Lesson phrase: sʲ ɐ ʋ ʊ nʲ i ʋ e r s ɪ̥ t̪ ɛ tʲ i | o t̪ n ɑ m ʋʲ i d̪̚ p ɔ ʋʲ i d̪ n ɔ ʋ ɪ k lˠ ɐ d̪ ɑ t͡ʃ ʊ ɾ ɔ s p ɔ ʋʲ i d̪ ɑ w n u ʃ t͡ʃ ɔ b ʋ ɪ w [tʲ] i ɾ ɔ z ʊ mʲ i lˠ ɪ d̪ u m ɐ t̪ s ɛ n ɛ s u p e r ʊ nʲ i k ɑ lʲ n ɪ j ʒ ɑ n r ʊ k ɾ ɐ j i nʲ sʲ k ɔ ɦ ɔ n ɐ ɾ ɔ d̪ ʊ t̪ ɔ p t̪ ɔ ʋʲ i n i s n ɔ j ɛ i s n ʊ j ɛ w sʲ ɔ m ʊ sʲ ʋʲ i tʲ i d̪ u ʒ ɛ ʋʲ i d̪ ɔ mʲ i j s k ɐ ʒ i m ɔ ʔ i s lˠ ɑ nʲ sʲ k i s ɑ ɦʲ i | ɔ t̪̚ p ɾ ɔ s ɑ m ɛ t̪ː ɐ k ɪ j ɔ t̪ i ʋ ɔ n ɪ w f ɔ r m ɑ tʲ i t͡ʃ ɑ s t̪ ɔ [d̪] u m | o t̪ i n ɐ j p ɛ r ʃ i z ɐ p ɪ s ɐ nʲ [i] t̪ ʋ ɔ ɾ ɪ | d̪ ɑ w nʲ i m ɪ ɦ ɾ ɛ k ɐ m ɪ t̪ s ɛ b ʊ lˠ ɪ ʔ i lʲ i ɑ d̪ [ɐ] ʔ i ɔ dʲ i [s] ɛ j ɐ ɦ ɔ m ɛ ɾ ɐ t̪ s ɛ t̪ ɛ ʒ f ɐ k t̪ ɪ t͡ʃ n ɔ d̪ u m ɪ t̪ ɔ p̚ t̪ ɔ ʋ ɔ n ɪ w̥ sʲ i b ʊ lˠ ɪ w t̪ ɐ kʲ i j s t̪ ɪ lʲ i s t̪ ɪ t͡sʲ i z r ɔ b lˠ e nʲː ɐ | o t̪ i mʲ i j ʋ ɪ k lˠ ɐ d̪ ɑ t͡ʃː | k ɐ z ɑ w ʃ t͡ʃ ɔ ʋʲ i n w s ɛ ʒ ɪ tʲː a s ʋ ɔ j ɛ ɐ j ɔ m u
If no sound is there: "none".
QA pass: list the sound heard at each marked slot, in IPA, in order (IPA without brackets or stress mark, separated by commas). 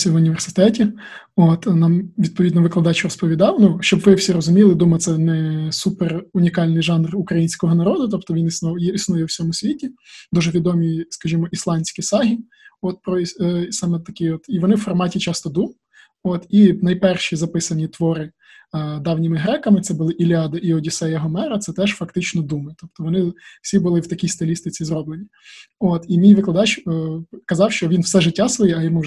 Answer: sʲ, d̪, i, ɐ, s